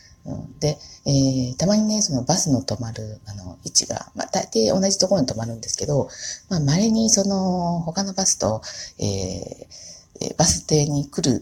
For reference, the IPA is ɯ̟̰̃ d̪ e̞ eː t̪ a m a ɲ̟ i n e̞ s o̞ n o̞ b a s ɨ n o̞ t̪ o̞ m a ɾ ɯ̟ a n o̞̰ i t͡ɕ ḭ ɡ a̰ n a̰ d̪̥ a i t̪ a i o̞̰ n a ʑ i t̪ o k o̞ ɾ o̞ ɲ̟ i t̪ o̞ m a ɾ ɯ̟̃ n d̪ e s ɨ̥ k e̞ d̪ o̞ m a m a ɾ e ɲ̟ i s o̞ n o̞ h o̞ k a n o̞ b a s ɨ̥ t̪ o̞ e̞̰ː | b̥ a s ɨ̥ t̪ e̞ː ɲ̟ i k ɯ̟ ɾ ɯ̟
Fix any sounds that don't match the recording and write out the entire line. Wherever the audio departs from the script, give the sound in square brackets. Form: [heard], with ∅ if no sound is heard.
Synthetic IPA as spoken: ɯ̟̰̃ d̪ e̞ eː t̪ a m a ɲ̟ i n e̞ s o̞ n o̞ b a s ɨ n o̞ t̪ o̞ m a ɾ ɯ̟ a n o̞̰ i t͡ɕ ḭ ɡ a̰ [m] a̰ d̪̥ a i t̪ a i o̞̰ n a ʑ i t̪ o k o̞ ɾ o̞ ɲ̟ i t̪ o̞ m a ɾ ɯ̟̃ n d̪ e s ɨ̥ k e̞ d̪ o̞ m a m a ɾ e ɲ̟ i s o̞ n o̞ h o̞ k a n o̞ b a s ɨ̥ t̪ o̞ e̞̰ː | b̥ a s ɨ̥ t̪ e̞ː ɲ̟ i k ɯ̟ ɾ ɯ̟